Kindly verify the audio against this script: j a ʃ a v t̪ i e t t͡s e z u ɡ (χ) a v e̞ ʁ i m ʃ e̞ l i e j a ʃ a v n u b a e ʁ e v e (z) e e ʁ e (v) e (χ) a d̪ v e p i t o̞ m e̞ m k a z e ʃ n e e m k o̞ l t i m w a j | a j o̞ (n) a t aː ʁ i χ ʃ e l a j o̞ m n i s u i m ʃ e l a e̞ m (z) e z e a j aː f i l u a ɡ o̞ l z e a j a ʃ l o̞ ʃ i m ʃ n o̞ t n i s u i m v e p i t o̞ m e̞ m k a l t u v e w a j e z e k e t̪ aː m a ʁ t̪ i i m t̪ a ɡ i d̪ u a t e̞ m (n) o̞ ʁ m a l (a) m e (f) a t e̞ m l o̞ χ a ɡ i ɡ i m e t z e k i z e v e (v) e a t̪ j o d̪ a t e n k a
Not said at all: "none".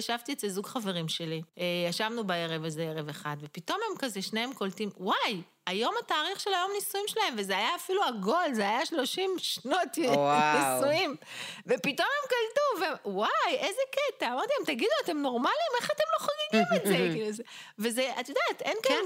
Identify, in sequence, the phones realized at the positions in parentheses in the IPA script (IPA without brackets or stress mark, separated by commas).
χ, z, v, χ, m, v, n, i, χ, z